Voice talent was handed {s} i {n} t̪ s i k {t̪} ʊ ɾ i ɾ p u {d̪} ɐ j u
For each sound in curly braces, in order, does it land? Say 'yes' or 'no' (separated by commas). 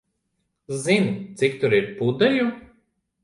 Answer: no, yes, yes, yes